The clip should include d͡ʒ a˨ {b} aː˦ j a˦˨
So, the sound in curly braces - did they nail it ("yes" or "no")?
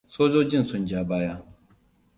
yes